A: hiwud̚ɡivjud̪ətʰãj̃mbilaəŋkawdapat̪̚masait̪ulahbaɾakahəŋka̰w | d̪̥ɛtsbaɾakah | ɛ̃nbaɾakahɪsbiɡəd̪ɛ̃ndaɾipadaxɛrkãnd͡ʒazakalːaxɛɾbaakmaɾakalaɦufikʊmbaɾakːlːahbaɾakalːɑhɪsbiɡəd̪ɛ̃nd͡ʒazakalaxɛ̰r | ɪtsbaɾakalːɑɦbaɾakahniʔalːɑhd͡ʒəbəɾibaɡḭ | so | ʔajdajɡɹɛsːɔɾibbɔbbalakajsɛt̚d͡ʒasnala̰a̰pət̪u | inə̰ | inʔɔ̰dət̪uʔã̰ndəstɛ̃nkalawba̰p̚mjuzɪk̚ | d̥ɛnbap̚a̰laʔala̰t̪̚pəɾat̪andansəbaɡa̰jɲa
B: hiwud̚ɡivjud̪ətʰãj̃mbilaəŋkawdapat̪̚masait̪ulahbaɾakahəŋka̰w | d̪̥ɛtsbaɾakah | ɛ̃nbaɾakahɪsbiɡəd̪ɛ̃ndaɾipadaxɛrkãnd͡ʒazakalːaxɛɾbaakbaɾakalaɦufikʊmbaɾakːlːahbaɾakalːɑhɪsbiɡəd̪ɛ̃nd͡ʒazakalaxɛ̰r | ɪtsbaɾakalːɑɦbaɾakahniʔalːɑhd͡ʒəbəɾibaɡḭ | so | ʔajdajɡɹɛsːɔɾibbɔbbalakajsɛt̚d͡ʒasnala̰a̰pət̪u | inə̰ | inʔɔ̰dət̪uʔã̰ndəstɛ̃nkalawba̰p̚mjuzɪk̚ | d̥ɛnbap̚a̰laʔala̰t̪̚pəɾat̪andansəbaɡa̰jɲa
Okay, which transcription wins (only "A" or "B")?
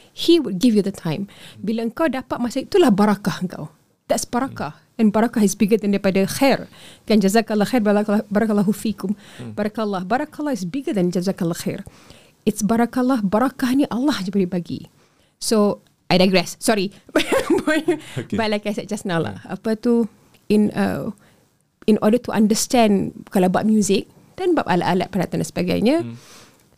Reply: B